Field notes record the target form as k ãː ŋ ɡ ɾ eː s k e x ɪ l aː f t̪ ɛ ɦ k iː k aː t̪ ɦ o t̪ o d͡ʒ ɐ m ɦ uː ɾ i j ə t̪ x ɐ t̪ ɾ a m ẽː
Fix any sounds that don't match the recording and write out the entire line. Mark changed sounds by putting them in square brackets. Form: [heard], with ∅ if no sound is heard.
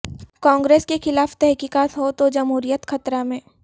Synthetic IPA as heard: k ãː ŋ ɡ ɾ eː s k e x ɪ l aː f t̪ ɛ ɦ k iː k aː t̪ ɦ o t̪ o d͡ʒ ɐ m ɦ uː ɾ i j ə t̪ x ɐ t̪ ɾ a m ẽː